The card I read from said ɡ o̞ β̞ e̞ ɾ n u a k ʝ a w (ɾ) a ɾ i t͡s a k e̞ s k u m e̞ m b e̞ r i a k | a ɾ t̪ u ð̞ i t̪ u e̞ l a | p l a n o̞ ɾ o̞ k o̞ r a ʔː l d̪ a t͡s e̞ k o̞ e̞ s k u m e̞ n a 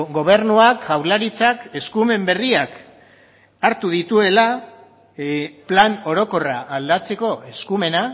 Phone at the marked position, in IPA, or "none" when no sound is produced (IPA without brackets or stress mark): l